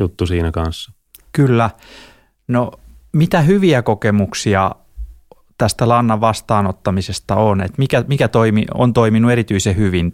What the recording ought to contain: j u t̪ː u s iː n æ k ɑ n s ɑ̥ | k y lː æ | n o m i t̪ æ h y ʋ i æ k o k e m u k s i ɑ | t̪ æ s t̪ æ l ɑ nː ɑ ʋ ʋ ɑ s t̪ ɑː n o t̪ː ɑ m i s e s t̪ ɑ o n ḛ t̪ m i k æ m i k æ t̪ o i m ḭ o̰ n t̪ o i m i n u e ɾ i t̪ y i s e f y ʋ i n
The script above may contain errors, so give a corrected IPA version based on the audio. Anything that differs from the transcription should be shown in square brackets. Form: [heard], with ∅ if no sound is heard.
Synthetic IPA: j u t̪ː u s iː n æ k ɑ n [sː] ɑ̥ | k y lː æ | n o m i t̪ æ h y ʋ i æ k o k e m u k s i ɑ | t̪ æ s t̪ æ l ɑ nː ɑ ʋ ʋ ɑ s t̪ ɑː n o t̪ː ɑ m i s e s t̪ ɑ o n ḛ t̪ m i k æ m i k æ t̪ o i m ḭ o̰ n t̪ o i m i n u e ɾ i t̪ y i s e [h] y ʋ i n